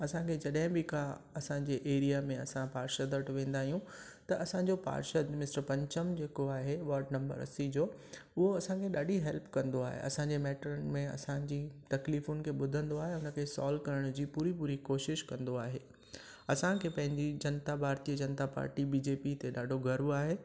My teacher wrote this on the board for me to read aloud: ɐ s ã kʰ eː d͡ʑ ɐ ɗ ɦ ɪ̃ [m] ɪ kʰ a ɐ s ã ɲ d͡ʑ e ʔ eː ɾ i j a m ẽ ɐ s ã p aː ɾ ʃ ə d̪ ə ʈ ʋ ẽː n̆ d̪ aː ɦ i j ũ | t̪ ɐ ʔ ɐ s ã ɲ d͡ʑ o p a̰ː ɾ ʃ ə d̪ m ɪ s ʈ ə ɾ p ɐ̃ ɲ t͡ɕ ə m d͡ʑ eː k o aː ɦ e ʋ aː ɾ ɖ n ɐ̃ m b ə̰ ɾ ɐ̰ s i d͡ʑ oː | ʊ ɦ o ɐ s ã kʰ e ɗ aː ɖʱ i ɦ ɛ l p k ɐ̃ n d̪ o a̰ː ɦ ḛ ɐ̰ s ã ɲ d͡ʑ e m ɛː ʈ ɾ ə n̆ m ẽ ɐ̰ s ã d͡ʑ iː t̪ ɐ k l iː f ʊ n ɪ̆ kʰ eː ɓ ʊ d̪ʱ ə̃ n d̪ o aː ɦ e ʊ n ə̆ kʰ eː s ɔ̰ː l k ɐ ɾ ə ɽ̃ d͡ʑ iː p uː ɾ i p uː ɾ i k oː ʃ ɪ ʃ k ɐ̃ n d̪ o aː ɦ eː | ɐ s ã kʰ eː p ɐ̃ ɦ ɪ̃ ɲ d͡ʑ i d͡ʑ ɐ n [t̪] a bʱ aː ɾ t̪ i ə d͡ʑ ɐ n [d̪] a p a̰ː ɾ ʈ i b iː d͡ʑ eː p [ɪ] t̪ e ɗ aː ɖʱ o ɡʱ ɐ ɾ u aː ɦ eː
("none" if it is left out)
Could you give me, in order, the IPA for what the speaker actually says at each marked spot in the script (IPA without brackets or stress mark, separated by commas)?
b, t̪, t̪, i